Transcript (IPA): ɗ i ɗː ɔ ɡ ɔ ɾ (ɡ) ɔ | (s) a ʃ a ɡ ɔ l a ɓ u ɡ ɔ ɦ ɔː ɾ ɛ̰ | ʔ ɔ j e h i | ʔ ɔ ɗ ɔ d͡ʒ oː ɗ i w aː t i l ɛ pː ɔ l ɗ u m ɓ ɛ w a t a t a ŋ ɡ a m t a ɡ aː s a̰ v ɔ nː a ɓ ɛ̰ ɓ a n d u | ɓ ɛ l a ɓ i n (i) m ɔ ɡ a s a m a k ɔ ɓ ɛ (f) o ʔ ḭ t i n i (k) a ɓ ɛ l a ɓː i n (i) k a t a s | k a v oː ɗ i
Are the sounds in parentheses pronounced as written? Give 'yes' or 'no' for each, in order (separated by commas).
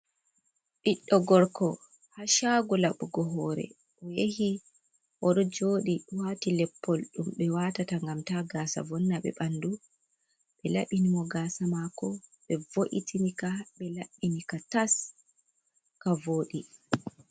no, no, yes, no, yes, yes